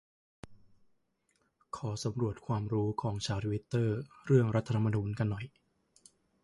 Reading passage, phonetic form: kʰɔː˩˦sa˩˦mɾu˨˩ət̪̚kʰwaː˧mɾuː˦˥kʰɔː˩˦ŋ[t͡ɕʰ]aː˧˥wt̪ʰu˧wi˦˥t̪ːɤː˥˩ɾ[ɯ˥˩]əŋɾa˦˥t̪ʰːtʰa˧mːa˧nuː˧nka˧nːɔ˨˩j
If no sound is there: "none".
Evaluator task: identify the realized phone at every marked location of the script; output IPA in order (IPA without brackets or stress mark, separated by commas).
t͡ɕʰ, ɯ˥˩